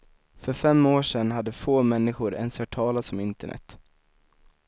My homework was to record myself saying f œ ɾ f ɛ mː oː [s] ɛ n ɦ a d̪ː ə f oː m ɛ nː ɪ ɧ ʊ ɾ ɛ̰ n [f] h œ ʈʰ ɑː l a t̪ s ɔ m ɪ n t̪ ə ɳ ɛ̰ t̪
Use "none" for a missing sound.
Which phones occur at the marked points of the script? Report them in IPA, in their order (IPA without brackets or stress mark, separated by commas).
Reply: ʂ, s